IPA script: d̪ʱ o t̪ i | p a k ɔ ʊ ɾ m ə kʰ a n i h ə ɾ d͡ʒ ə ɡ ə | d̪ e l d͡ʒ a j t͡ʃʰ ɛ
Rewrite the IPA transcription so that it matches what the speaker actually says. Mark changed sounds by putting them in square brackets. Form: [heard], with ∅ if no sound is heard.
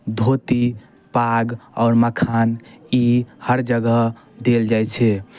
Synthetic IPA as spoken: d̪ʱ o t̪ i | p a [ɡ] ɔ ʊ ɾ m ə kʰ a n i h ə ɾ d͡ʒ ə ɡ ə | d̪ e l d͡ʒ a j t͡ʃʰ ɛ